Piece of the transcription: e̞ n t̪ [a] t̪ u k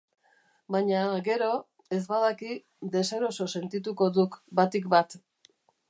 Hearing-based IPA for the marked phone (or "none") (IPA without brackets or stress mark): i